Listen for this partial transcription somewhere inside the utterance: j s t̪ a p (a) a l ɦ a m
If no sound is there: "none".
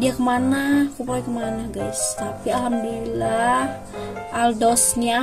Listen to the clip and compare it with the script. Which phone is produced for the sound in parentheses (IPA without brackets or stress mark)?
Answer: i